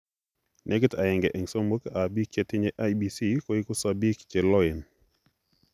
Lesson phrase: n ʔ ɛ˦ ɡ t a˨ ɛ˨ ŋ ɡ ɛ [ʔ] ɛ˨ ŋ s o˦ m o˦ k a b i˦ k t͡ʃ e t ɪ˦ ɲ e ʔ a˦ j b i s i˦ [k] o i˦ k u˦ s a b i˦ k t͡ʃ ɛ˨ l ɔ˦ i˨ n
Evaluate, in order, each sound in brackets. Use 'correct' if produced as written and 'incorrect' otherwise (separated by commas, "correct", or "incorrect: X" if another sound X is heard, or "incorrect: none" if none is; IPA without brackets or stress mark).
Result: correct, correct